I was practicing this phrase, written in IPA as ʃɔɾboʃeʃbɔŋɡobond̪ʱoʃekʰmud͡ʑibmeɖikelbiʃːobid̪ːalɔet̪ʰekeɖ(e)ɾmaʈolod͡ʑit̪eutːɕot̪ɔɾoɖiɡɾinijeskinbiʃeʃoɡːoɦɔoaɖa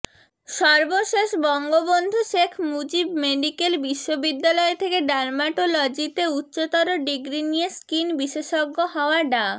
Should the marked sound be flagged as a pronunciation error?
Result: yes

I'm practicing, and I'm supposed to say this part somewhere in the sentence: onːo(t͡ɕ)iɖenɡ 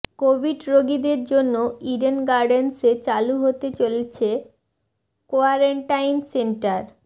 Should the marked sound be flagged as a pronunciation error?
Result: yes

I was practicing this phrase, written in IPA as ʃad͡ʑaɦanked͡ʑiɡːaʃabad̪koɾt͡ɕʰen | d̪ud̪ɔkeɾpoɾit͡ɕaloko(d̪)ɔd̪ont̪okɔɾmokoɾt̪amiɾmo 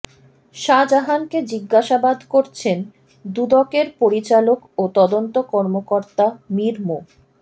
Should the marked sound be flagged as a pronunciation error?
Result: yes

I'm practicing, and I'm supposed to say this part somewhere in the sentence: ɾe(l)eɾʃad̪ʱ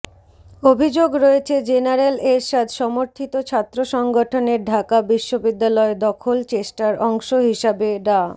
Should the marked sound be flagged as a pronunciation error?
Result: no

